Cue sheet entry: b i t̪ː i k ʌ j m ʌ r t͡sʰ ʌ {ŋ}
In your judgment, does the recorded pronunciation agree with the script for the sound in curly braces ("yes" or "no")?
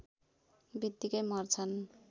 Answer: no